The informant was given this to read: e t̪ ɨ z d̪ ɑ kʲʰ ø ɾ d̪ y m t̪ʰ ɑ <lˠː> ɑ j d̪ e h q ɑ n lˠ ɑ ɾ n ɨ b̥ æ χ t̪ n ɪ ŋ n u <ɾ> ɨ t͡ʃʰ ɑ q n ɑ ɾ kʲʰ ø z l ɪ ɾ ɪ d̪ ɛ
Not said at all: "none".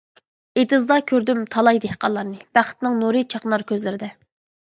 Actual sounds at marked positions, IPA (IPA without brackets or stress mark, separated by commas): lˠ, ɾ